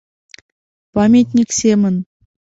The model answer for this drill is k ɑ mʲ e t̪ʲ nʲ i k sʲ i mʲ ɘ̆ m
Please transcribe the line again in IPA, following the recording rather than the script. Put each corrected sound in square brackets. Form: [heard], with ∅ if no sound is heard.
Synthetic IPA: [p] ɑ mʲ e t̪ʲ nʲ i k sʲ [e] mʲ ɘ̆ [n]